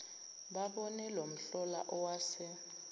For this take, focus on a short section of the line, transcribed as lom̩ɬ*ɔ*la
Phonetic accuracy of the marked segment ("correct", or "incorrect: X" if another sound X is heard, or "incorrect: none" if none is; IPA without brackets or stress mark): correct